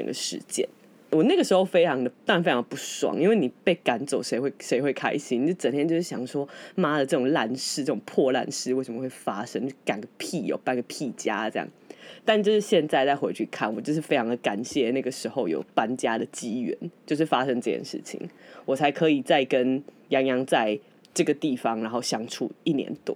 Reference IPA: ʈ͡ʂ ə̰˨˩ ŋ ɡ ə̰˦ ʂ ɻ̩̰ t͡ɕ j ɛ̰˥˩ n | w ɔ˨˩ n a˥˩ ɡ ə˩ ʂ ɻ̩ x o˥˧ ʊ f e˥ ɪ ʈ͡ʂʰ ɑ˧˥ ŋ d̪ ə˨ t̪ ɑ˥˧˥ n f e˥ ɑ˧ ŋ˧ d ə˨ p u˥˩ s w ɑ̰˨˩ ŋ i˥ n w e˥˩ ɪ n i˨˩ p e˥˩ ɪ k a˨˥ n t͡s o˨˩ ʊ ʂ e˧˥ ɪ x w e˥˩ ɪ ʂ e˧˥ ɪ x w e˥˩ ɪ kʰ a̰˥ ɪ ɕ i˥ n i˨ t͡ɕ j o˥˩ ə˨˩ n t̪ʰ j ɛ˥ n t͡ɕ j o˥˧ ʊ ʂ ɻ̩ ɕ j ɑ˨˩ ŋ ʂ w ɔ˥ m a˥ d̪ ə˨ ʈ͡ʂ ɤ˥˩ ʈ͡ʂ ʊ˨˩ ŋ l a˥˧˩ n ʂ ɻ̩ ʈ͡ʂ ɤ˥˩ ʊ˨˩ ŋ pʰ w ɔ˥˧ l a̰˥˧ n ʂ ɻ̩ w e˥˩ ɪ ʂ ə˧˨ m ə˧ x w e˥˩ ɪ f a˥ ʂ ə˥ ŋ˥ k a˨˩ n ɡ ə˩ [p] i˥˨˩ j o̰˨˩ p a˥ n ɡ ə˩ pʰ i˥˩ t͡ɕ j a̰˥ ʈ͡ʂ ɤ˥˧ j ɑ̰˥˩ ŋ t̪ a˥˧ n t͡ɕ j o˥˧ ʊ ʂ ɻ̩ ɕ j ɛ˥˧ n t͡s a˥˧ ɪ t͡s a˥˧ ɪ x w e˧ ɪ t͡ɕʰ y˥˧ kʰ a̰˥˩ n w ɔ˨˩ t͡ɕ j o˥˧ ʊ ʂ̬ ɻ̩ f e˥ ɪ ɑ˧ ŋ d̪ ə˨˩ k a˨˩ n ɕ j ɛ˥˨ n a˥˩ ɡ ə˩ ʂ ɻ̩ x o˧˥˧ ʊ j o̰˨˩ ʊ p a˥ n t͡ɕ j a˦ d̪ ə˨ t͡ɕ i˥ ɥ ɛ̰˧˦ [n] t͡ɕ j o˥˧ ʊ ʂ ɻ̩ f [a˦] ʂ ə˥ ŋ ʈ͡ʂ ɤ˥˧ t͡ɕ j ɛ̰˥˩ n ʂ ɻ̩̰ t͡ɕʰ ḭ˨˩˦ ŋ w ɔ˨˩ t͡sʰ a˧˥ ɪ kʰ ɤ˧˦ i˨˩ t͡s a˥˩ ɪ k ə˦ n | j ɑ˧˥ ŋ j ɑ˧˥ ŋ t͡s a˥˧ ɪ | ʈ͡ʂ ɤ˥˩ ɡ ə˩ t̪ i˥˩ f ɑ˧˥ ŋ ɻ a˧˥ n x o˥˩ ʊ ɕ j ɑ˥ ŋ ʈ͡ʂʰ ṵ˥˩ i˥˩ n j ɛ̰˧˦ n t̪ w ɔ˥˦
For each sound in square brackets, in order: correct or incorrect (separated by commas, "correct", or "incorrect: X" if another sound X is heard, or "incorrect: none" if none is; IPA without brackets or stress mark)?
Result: incorrect: pʰ, correct, correct